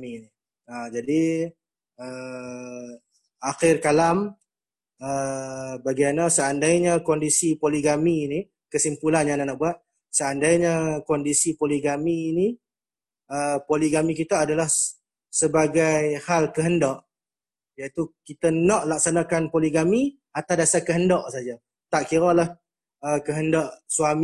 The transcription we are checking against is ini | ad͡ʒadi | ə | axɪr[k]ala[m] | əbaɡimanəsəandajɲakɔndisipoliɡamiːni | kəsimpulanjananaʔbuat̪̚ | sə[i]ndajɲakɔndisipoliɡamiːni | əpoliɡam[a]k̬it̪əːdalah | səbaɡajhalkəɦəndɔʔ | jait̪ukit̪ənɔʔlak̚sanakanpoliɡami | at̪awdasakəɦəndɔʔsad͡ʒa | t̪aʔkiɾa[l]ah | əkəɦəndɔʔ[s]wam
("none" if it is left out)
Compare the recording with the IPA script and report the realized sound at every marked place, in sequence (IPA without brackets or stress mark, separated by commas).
k, m, a, i, l, s